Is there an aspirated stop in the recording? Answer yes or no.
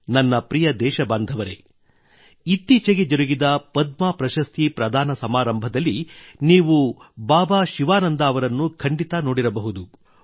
yes